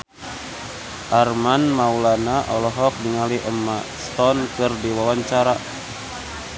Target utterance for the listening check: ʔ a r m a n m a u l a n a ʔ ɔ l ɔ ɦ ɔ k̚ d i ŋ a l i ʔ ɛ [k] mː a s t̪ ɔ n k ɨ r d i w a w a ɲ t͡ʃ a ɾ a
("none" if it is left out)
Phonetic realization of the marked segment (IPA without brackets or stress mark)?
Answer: none